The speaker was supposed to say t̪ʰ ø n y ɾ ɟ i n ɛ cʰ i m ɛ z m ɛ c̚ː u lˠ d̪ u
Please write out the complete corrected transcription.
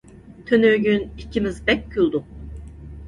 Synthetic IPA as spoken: t̪ʰ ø n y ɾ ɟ y n i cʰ i m i z b ɛ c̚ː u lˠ d̪ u